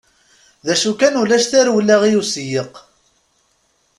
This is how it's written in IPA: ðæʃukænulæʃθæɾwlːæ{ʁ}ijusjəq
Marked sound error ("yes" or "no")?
no